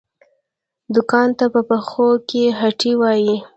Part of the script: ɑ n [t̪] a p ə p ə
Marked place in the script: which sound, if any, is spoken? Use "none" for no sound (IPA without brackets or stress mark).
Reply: t̪